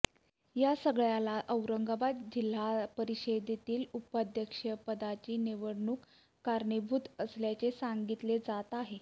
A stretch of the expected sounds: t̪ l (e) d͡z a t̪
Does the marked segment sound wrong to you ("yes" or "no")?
no